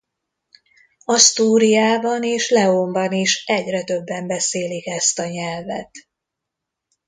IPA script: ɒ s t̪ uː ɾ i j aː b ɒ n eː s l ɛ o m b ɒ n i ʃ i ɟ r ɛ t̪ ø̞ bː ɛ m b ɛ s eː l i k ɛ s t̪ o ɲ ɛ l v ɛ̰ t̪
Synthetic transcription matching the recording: ɒ s t̪ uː ɾ i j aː b ɒ n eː ʃ l ɛ o m b ɒ n i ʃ ɛ ɟ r ɛ t̪ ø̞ bː ɛ m b ɛ s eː l i k ɛ s t̪ ɒ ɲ ɛ l v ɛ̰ t̪